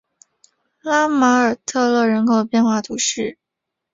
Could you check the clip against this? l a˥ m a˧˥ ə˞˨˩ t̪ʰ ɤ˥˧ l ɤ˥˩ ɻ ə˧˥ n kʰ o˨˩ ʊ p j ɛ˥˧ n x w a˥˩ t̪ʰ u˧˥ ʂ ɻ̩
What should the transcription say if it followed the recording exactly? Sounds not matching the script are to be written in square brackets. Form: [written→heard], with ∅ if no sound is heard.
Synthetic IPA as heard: l a˥ m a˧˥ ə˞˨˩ t̪ʰ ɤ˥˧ l ɤ˥˩ ɻ ə˧˥ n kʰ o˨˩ ʊ p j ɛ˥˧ n x w a˥˩ t̪ʰ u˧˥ ʂ ɻ̩